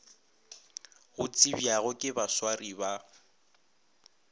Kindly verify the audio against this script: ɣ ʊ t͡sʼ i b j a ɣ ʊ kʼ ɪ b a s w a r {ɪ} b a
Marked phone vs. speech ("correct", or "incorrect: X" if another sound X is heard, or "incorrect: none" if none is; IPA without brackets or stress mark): incorrect: i